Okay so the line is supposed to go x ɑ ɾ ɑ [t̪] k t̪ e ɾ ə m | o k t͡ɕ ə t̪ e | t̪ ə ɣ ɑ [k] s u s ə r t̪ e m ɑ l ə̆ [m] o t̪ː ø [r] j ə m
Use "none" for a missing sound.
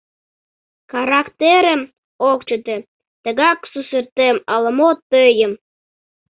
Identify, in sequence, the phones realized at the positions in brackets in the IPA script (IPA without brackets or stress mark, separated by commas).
none, k, m, none